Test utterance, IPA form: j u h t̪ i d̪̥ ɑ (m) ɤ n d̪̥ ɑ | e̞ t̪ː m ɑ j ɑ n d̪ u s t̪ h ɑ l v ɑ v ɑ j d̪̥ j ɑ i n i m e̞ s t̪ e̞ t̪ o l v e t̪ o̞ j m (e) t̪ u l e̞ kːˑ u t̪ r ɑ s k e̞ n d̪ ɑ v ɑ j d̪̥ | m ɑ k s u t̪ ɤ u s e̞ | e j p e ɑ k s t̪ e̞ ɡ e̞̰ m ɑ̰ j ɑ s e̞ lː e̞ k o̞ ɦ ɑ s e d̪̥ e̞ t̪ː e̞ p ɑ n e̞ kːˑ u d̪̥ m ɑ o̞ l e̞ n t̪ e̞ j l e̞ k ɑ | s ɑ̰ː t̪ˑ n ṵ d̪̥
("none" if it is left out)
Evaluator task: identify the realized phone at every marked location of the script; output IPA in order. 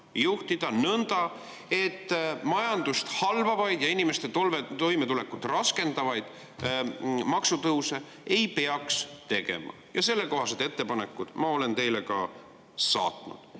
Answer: n, e

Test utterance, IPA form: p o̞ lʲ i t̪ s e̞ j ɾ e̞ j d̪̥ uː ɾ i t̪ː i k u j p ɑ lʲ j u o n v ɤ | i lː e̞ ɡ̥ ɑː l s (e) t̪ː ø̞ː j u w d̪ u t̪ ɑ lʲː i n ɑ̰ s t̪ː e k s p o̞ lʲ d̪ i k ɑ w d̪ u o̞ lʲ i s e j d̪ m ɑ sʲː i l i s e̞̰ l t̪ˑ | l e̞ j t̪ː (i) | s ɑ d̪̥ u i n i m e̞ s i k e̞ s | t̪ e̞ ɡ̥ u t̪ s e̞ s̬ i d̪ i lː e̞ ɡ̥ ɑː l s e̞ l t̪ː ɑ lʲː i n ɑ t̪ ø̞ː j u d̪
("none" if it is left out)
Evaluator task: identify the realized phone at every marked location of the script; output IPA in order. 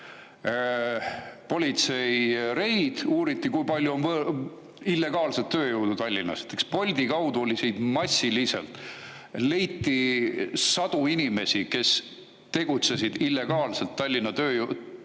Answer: e, i

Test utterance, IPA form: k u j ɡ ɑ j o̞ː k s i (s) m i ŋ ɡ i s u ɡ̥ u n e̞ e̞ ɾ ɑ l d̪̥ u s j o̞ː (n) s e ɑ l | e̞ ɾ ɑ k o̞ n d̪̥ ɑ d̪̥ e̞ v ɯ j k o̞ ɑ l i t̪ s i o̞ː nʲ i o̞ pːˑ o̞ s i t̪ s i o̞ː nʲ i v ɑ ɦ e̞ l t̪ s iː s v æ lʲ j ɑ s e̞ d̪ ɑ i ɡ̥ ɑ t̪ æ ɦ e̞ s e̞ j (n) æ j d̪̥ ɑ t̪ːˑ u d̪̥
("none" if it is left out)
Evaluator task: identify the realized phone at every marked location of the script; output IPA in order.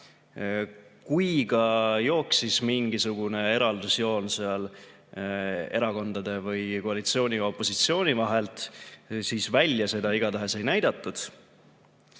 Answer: s, n, n

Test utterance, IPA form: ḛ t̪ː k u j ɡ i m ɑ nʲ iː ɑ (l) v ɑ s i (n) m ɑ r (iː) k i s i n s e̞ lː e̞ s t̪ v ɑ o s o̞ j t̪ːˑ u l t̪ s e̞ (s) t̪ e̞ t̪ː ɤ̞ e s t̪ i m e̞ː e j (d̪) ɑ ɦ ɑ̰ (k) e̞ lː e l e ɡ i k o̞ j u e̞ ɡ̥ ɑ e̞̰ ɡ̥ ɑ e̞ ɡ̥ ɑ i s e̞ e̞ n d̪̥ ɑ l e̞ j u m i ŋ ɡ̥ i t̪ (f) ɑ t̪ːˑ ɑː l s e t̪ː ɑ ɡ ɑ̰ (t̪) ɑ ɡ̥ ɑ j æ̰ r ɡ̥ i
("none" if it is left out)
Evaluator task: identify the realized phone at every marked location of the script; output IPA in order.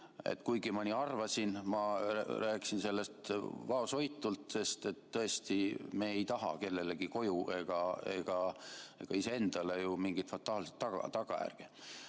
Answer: r, n, æː, s, t̪, k, f, t̪

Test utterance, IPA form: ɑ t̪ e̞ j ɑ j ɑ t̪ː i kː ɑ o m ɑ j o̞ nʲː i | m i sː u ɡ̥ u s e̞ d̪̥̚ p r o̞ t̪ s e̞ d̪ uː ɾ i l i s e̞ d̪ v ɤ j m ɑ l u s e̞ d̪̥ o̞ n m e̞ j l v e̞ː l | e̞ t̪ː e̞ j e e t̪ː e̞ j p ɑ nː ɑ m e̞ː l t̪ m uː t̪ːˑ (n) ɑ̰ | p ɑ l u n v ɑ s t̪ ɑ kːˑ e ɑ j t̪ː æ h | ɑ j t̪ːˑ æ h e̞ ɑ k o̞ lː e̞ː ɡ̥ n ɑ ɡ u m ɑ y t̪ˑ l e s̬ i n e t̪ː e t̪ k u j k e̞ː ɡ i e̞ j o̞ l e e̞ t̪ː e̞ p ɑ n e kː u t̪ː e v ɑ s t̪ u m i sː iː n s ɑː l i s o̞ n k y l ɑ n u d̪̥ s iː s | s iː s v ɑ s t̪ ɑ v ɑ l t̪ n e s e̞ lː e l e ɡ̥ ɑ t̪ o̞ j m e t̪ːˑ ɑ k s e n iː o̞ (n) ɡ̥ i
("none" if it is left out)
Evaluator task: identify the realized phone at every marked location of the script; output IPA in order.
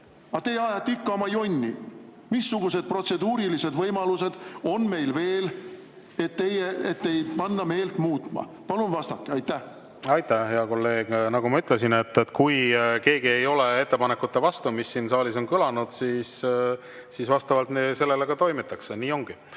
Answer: m, ŋ

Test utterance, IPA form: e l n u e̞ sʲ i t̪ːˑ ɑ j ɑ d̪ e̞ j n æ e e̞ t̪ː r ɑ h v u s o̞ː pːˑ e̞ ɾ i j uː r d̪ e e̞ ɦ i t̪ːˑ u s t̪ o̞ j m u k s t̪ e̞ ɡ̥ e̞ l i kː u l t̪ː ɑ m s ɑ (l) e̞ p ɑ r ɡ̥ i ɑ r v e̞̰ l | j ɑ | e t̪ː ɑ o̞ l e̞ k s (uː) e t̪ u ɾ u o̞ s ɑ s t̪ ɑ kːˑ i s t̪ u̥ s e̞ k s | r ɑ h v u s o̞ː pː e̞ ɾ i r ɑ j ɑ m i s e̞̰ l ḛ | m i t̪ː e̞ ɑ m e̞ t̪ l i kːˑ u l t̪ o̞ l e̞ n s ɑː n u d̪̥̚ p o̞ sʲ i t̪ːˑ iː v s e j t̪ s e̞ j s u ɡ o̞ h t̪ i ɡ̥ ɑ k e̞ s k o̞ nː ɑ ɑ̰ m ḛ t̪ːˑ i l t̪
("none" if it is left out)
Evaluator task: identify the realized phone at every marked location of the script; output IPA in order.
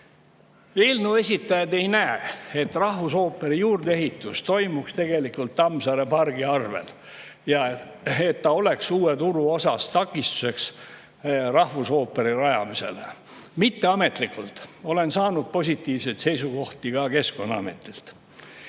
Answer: ɾ, uː

